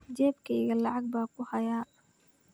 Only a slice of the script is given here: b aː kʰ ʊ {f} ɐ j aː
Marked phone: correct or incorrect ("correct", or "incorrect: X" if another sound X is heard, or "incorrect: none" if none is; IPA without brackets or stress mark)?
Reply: incorrect: h